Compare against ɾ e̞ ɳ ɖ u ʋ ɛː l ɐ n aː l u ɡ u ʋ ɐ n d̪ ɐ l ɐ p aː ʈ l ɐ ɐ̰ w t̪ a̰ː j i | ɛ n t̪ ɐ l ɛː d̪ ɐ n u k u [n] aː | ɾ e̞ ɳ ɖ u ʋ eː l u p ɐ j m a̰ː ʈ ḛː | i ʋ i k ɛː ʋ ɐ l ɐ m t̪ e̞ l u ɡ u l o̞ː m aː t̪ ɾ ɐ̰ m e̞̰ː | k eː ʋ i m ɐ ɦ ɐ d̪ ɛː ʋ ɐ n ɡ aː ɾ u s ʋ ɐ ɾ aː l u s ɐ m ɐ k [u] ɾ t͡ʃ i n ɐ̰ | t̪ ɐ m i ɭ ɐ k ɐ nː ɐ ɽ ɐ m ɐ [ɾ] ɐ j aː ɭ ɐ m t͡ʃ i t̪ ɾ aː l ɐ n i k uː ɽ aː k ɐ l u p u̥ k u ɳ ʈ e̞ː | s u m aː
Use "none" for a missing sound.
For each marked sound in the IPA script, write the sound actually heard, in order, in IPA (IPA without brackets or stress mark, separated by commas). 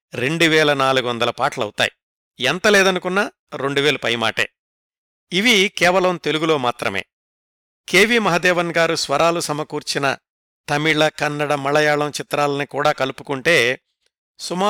nː, uː, ɭ